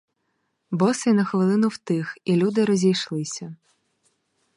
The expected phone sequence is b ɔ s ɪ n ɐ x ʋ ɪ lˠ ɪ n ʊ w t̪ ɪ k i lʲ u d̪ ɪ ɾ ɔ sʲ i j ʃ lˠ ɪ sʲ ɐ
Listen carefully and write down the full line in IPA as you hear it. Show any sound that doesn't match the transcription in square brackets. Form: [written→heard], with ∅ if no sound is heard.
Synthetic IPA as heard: b ɔ s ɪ n ɐ x ʋ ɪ lˠ ɪ n ʊ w t̪ ɪ [k→x] i lʲ u d̪ ɪ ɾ ɔ [sʲ→zʲ] i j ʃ lˠ ɪ sʲ ɐ